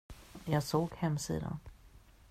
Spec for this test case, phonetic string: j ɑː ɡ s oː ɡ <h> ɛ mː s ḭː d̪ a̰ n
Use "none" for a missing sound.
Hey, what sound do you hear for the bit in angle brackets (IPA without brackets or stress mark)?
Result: h